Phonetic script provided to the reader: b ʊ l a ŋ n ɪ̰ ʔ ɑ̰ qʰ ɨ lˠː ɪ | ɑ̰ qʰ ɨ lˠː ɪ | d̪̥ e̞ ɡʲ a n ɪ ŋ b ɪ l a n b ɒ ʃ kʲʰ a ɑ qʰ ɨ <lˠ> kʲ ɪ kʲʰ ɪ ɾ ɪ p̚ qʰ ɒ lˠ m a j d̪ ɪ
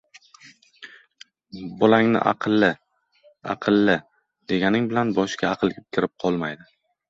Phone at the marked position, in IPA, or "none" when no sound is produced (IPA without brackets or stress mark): lˠ